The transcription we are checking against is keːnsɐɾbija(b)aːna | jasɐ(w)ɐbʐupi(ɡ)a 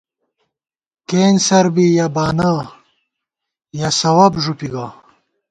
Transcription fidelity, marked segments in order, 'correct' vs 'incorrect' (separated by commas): correct, correct, correct